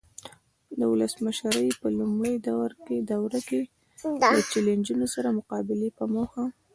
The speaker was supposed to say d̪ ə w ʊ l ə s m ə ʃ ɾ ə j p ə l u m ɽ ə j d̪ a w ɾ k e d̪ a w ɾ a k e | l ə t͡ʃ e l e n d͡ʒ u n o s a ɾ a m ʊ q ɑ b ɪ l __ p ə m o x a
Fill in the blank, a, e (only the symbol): e